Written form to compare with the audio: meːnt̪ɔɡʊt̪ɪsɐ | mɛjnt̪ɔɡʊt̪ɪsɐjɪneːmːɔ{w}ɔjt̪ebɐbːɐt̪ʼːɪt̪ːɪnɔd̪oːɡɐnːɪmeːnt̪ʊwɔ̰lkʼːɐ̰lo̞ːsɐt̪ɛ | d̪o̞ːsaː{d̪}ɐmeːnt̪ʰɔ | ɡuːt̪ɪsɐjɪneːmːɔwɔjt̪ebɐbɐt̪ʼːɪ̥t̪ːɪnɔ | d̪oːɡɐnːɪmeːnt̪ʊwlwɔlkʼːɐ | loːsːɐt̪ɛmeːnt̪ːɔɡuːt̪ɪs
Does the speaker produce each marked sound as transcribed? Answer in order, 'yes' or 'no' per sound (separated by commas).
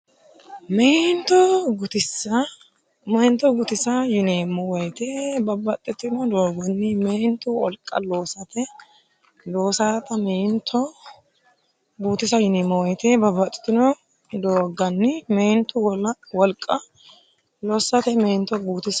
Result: yes, no